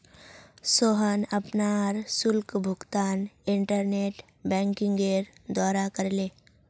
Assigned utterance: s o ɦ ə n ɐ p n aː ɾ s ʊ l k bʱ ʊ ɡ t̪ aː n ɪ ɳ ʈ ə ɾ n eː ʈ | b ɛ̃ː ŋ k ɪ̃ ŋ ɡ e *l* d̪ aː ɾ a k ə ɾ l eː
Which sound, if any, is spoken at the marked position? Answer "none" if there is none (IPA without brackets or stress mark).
ɾ